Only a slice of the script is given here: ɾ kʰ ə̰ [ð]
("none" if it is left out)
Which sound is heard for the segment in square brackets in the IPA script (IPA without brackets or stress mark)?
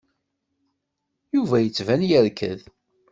ð